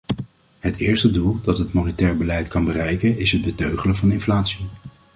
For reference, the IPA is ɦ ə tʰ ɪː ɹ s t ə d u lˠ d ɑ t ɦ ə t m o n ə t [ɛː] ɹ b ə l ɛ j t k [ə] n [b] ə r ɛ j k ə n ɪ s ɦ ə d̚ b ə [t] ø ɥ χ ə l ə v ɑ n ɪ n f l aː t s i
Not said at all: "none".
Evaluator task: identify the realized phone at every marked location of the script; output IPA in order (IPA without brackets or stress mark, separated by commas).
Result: ɛː, ɑ, b, t